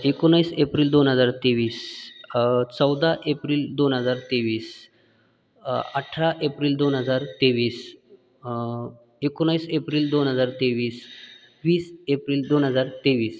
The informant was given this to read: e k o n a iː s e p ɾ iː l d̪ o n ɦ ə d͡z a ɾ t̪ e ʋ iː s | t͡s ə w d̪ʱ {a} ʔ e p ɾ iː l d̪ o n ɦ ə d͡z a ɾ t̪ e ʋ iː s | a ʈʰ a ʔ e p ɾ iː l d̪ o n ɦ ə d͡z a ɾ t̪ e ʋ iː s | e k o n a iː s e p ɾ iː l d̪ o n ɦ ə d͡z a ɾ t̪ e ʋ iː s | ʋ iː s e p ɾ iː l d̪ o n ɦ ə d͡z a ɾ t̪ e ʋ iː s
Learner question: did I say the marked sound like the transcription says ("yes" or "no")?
yes